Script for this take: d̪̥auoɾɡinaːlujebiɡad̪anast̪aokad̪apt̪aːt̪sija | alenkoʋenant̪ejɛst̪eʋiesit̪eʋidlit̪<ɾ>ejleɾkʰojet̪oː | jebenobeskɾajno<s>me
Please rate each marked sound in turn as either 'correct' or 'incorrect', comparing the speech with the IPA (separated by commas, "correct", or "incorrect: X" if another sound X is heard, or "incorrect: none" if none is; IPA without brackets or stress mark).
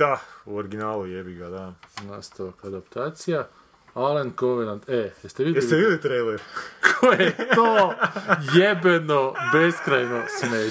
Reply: correct, correct